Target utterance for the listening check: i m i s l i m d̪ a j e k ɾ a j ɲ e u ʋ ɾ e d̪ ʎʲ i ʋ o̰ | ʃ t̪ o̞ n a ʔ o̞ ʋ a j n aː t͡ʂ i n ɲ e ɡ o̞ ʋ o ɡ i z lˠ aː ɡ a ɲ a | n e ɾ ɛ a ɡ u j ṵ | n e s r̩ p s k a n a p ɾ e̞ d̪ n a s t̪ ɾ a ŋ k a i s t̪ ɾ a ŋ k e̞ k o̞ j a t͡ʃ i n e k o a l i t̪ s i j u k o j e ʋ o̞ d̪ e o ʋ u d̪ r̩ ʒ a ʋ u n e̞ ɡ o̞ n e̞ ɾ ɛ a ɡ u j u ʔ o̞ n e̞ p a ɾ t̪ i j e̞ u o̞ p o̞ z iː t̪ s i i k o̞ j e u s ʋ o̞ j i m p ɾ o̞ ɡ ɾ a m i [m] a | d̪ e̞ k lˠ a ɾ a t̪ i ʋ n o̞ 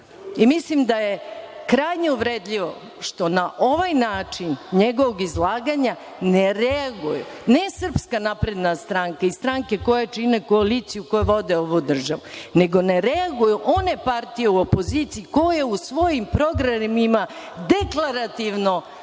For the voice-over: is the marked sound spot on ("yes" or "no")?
yes